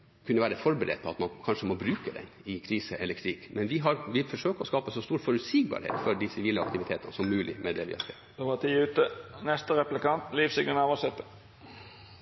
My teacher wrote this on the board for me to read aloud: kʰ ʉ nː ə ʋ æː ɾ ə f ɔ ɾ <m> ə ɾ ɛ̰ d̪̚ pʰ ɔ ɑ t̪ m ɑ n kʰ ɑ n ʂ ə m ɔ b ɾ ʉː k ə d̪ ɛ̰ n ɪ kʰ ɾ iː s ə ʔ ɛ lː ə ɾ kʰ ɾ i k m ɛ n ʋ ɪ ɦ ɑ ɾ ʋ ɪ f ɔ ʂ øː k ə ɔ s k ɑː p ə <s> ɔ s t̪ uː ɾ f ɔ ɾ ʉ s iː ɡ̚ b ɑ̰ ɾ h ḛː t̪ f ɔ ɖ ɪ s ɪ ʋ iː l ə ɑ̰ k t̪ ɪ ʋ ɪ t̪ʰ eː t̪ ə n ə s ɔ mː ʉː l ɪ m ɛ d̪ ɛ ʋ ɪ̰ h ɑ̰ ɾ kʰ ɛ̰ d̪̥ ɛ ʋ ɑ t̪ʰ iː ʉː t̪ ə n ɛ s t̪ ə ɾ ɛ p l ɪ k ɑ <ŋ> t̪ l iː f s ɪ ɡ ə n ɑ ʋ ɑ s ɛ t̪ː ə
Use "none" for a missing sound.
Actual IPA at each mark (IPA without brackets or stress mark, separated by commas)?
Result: b, s, n